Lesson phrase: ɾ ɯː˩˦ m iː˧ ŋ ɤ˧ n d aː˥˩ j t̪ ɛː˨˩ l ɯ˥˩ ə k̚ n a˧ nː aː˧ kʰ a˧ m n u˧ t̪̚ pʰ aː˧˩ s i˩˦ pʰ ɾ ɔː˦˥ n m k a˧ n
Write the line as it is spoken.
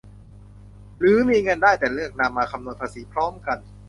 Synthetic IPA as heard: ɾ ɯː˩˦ m iː˧ ŋ ɤ˧ n d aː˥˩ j t̪ ɛː˨˩ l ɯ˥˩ ə k̚ n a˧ mː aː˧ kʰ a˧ m n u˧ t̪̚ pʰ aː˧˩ s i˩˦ pʰ ɾ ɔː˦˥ m k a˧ n